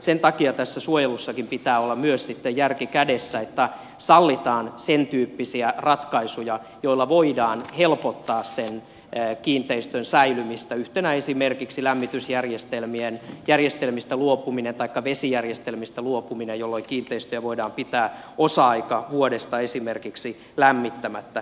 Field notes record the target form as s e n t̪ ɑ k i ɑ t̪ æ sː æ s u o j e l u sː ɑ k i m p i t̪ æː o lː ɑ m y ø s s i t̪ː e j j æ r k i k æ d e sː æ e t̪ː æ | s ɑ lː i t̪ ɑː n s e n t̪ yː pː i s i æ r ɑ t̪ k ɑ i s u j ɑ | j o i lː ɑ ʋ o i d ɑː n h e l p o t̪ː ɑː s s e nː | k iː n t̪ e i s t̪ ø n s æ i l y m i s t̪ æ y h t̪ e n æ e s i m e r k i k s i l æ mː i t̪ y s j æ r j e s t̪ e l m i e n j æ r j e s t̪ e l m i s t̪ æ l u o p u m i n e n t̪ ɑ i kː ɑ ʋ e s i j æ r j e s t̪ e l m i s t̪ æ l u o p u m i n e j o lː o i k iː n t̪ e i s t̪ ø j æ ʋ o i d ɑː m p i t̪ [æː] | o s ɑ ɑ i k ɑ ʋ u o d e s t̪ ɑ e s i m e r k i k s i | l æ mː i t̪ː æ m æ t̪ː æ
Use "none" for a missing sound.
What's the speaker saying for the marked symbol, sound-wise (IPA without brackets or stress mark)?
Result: æː